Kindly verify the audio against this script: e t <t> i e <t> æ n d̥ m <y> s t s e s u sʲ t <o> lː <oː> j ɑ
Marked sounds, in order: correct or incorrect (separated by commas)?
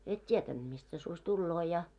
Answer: correct, correct, incorrect, incorrect, correct